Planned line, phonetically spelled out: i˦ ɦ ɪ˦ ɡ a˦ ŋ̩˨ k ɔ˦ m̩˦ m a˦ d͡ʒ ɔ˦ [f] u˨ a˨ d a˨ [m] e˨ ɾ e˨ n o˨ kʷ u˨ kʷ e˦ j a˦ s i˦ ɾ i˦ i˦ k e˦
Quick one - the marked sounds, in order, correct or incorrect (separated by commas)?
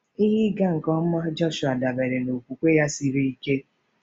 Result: incorrect, incorrect